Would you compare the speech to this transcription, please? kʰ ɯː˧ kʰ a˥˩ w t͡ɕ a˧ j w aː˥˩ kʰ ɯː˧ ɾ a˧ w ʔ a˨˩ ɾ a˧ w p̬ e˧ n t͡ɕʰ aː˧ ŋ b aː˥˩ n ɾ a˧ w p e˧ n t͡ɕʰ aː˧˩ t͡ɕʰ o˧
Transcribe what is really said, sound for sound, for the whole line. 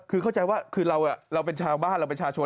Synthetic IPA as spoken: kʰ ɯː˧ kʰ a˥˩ w t͡ɕ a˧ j w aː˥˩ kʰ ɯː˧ ɾ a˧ w ʔ a˨˩ ɾ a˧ w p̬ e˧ n t͡ɕʰ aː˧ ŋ b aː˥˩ n ɾ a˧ w p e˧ n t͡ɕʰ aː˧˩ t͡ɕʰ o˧

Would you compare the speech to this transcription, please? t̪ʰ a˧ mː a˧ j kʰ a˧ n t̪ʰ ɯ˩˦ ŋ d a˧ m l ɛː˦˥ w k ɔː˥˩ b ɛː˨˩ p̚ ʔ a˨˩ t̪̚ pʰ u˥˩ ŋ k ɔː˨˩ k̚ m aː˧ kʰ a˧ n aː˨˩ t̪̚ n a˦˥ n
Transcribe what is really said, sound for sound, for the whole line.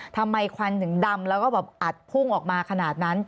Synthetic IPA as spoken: t̪ʰ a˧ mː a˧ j kʰ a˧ n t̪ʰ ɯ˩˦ ŋ d a˧ m l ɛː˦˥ w k ɔː˥˩ b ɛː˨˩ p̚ ʔ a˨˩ t̪̚ pʰ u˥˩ ŋ ʔ ɔː˨˩ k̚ m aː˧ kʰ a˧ n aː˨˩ t̪̚ n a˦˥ n

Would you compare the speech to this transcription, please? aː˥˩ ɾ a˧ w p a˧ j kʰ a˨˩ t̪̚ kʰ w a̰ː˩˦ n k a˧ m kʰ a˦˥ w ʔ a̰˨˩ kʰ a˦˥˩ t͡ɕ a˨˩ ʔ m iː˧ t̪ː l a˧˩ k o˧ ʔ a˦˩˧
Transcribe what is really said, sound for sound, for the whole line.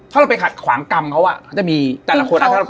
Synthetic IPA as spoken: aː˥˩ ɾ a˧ w p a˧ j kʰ a˨˩ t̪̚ kʰ w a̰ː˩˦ ŋ k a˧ m kʰ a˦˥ w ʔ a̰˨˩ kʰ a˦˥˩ t͡ɕ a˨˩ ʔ m iː˧ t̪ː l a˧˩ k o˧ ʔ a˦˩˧

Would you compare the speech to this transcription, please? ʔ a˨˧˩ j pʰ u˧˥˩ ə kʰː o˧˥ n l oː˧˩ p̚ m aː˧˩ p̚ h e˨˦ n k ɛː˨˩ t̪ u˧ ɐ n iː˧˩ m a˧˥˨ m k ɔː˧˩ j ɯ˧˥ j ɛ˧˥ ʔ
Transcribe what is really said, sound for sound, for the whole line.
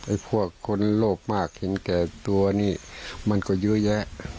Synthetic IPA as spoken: ʔ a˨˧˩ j pʰ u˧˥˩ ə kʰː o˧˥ n l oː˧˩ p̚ m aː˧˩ k̚ h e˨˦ n k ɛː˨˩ t̪ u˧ ɐ n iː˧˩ m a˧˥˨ n k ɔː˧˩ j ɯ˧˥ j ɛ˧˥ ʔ

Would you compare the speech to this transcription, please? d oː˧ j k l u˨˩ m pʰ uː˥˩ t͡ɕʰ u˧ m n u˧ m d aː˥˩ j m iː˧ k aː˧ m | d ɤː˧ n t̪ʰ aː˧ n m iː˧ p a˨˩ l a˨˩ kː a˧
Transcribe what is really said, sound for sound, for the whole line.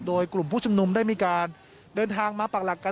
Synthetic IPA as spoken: d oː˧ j k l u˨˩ m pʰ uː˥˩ t͡ɕʰ u˧ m n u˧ m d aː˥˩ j m iː˧ k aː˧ n | d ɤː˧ n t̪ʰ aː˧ ŋ m aː˧ p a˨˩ l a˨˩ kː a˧

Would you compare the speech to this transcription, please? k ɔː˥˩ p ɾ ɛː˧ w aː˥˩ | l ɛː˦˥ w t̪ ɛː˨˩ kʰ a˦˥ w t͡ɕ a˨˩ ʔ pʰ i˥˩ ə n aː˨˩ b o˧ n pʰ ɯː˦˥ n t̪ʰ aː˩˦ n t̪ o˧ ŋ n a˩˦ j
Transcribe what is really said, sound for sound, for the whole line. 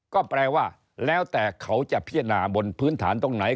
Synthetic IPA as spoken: k ɔː˥˩ p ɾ ɛː˧ w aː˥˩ | l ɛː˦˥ w t̪ ɛː˨˩ kʰ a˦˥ w t͡ɕ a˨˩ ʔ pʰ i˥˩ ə n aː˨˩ b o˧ n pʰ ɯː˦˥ n t̪ʰ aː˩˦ n t̪ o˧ ŋ n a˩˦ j

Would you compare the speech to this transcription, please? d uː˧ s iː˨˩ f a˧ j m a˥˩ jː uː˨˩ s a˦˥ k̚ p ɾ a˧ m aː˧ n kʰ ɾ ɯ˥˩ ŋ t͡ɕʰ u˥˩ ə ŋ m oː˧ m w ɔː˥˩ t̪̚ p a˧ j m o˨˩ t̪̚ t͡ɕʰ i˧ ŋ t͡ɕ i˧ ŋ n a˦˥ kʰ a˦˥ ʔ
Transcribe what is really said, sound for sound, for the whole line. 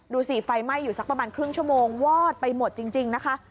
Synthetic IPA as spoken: d uː˧ s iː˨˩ f a˧ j m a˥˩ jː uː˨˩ s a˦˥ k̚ p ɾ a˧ m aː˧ n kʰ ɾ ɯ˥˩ ŋ t͡ɕʰ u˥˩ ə m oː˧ ŋ w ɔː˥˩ t̪̚ p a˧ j m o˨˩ t̪̚ t͡ɕ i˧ ŋ t͡ɕ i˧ ŋ n a˦˥ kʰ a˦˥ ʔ

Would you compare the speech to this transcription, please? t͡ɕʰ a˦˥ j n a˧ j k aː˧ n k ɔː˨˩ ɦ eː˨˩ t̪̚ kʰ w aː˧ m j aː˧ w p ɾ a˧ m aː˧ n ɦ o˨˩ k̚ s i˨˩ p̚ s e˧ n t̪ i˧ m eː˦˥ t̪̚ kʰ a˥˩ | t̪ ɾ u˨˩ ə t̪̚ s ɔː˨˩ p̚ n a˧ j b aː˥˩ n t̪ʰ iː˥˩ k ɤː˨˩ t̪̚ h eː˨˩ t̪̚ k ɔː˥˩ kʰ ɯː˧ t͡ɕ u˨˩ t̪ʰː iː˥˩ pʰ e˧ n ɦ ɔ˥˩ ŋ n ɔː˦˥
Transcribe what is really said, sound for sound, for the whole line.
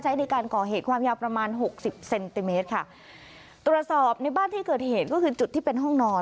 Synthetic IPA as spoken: t͡ɕʰ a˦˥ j n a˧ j k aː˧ n k ɔː˨˩ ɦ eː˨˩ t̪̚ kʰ w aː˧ m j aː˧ w p ɾ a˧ m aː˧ n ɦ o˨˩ k̚ s i˨˩ p̚ s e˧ n t̪ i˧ m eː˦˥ t̪̚ kʰ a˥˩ | t̪ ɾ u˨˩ ə t̪̚ s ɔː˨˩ p̚ n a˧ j b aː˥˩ n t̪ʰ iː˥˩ k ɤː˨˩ t̪̚ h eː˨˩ t̪̚ k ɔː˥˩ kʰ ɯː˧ t͡ɕ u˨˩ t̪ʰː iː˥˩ p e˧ n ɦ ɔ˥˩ ŋ n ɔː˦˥

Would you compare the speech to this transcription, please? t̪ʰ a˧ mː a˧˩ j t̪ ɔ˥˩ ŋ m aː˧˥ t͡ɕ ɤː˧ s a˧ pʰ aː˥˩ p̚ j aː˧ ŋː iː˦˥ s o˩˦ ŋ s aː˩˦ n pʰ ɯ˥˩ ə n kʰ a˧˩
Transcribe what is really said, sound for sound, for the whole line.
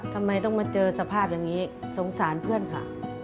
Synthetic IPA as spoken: t̪ʰ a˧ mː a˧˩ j t̪ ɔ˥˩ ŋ m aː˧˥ t͡ɕ ɤː˧ s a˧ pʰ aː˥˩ p̚ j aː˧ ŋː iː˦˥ s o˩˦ ŋ s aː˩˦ n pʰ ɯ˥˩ ə n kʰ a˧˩

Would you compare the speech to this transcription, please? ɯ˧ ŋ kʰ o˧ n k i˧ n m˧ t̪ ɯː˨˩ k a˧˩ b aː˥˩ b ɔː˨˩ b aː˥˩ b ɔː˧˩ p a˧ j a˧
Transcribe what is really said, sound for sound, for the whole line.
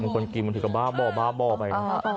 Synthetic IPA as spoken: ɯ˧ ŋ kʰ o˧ n k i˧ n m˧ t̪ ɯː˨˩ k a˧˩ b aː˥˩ b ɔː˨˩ b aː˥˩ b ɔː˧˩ p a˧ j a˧

